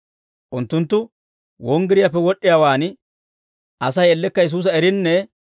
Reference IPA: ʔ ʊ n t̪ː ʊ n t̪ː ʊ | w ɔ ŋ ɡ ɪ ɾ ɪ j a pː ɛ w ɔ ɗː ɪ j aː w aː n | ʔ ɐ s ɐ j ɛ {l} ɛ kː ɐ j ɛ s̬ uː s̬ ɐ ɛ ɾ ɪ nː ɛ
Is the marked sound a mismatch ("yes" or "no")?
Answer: yes